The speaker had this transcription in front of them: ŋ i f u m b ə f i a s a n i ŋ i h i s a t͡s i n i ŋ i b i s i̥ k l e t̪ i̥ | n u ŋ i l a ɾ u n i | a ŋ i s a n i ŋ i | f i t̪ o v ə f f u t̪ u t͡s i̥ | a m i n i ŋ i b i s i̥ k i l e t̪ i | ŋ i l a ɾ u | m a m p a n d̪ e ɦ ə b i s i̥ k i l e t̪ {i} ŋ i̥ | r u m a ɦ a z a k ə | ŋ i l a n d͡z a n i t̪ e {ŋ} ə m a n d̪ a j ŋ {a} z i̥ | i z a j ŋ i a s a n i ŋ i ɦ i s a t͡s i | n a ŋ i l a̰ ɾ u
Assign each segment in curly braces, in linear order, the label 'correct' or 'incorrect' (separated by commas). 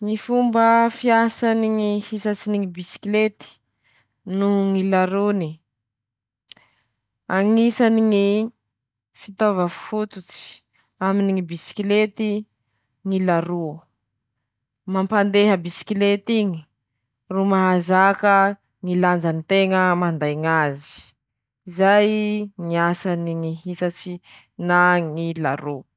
correct, correct, correct